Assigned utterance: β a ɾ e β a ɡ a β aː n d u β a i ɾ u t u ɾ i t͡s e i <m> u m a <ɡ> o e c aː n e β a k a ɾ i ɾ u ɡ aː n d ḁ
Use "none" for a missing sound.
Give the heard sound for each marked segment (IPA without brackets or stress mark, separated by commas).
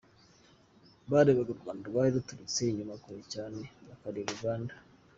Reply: ɲ, k